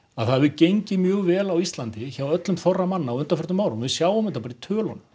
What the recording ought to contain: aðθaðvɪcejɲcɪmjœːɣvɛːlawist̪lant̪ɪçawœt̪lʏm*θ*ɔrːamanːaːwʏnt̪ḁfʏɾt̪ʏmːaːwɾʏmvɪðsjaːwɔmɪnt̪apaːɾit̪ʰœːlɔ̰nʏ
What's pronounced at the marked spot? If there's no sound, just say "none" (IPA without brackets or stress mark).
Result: θ